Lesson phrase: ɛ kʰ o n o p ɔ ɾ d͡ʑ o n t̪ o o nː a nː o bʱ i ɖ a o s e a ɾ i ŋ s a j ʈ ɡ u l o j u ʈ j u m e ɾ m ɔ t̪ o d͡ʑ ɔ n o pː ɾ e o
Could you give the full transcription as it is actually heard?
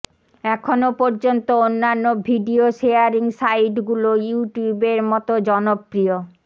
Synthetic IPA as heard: ɛ kʰ o n o p ɔ ɾ d͡ʑ o n t̪ o o nː a nː o bʱ i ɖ i o ʃ e a ɾ i ŋ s a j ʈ ɡ u l o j u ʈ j u b e ɾ m ɔ t̪ o d͡ʑ ɔ n o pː ɾ i o